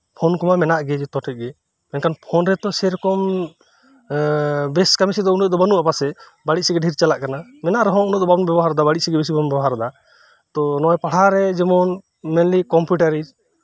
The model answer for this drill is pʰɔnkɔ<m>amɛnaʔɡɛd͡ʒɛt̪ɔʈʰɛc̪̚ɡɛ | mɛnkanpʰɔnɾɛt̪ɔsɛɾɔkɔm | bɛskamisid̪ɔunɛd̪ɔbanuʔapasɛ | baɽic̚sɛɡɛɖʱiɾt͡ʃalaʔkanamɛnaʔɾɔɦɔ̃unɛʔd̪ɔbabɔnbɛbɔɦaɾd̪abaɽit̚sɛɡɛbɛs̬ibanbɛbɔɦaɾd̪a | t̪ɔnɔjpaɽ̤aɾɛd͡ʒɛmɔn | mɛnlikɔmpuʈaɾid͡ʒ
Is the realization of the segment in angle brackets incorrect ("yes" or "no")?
no